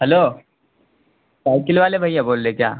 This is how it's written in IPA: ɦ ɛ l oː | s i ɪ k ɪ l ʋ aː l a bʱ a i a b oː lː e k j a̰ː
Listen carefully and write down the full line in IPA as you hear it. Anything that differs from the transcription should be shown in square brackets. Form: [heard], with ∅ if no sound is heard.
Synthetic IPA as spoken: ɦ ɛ l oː | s [a] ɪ k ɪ l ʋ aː l [e] bʱ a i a b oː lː e k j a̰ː